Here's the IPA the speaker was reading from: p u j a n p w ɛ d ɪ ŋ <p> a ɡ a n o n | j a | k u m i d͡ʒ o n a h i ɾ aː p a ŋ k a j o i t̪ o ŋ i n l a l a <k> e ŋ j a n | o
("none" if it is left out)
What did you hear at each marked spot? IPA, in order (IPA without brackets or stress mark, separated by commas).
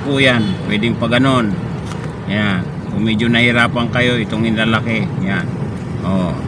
p, k